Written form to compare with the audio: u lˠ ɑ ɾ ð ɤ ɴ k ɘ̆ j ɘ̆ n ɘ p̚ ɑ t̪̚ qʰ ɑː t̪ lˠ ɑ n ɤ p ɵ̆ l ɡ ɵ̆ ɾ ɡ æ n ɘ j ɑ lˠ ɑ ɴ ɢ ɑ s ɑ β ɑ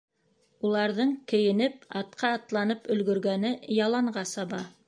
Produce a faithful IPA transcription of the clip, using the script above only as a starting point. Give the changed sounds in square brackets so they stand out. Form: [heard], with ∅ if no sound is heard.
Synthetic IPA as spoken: u lˠ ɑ ɾ ð ɤ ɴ k ɘ̆ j ɘ̆ n ɘ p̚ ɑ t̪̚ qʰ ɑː t̪ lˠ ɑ n ɤ p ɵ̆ l ɡ ɵ̆ ɾ ɡ æ n ɘ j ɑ lˠ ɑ ɴ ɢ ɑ s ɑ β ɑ